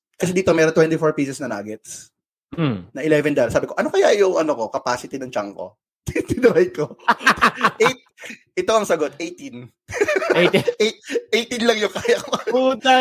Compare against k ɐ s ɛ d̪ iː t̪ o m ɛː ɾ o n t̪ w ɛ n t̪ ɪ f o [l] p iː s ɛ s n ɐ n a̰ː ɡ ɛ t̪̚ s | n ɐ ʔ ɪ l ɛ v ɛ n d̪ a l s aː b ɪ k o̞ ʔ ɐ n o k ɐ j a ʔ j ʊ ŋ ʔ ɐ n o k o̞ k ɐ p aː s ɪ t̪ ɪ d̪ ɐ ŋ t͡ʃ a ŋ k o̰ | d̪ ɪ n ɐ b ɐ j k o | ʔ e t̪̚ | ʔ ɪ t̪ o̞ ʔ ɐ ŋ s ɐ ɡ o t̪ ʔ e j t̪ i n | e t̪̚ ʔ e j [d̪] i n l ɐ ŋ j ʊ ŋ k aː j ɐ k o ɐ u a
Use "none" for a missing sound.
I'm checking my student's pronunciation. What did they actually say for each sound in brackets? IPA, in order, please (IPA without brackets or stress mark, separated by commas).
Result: ɹ, t̪